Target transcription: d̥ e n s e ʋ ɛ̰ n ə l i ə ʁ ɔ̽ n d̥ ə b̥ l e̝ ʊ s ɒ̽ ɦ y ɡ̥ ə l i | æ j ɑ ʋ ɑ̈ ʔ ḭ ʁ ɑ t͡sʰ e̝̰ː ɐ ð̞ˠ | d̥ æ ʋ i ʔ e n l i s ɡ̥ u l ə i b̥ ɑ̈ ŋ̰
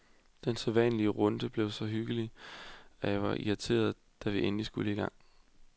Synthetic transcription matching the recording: d̥ e n s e ʋ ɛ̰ n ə l i ə ʁ ɔ̽ n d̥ ə b̥ l e̝ ʊ s ɒ̽ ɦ y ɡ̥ ə l i | æ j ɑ ʋ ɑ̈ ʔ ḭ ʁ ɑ t͡sʰ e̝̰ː ɐ ð̞ˠ | d̥ æ ʋ i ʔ e n l i s ɡ̥ u l ə i ɡ̥ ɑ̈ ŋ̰